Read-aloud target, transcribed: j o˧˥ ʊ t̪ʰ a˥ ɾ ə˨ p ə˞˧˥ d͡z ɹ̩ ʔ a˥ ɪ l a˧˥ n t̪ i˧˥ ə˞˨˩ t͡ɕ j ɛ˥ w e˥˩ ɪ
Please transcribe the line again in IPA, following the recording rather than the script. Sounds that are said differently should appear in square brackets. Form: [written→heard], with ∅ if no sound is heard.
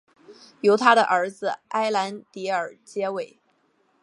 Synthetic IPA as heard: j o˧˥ ʊ t̪ʰ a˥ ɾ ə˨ [p→ʔ] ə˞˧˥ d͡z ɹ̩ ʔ a˥ ɪ l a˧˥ n t̪ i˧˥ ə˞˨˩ t͡ɕ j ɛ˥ w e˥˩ ɪ